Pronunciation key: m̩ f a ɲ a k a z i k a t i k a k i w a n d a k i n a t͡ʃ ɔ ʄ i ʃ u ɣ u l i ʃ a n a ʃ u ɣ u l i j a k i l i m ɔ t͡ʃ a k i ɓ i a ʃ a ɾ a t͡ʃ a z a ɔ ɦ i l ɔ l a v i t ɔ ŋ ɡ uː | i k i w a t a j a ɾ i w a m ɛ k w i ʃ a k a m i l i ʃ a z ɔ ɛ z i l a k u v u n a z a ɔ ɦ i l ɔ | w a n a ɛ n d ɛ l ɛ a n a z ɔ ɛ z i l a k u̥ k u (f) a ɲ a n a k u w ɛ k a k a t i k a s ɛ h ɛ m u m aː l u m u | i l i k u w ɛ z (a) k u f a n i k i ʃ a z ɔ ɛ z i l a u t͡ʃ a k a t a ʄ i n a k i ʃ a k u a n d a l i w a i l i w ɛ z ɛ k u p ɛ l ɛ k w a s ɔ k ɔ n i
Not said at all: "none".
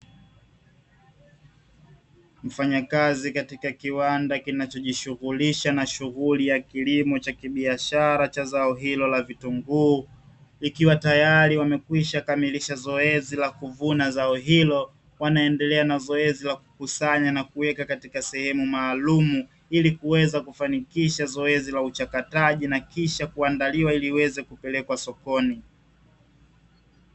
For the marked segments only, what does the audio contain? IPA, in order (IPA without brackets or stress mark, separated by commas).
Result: s, a